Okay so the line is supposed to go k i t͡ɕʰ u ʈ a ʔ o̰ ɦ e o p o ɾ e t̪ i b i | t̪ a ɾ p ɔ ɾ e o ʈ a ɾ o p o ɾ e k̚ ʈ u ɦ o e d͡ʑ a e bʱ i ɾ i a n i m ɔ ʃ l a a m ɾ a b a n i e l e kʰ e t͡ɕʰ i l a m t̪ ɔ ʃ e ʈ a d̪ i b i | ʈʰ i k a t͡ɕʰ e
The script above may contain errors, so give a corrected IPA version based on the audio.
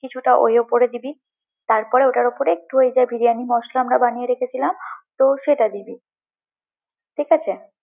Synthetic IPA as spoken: k i t͡ɕʰ u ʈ a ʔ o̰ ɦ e o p o ɾ e d̪ i b i | t̪ a ɾ p ɔ ɾ e o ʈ a ɾ o p o ɾ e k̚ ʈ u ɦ o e d͡ʑ a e bʱ i ɾ i a n i m ɔ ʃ l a a m ɾ a b a n i e ɾ e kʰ e t͡ɕʰ i l a m t̪ o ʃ e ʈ a d̪ i b i | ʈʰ i k a t͡ɕʰ e